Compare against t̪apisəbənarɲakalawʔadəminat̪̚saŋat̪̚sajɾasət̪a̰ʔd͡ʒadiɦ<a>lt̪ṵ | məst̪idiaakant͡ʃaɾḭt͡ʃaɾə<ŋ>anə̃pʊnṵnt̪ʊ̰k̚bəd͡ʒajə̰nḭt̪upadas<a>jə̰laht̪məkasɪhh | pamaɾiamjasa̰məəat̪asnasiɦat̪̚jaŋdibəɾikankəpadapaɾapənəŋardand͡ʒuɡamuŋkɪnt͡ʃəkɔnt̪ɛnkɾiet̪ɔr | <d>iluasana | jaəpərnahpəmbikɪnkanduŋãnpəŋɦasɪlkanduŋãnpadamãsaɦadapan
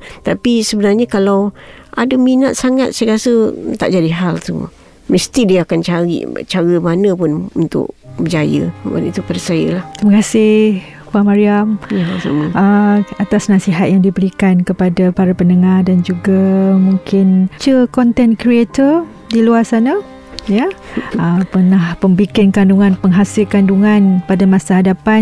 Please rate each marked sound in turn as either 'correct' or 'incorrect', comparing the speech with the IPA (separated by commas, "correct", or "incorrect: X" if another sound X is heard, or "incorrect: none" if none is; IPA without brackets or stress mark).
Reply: correct, incorrect: m, correct, correct